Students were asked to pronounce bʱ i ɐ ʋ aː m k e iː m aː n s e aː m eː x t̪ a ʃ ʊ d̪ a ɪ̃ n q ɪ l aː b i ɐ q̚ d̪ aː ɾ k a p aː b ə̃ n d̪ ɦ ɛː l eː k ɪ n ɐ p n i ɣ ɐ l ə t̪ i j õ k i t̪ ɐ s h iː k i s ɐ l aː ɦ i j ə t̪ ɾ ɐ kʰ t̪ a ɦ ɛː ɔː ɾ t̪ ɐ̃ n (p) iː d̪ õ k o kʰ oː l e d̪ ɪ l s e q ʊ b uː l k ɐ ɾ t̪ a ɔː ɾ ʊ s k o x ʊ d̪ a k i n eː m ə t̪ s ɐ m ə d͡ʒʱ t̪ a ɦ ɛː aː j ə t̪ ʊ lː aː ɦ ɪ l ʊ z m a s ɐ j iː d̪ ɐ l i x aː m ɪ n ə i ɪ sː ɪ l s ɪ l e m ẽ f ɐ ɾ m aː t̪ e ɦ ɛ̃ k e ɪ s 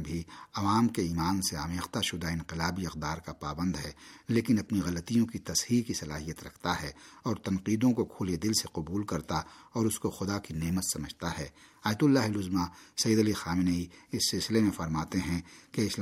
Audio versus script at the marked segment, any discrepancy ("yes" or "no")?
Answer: yes